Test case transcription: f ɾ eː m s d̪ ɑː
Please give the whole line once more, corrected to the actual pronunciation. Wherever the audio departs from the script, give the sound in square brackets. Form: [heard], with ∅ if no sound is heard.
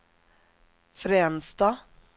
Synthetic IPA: f ɾ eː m s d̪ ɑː